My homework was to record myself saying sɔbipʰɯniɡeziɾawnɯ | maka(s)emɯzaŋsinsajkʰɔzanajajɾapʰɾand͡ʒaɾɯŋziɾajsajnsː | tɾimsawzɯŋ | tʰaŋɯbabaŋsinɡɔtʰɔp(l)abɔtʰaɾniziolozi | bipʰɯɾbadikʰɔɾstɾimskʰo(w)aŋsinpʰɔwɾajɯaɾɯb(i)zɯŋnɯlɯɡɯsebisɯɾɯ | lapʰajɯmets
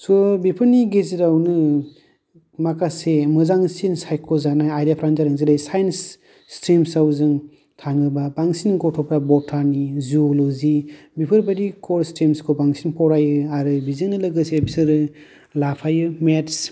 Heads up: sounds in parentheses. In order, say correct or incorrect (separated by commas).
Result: correct, incorrect, incorrect, correct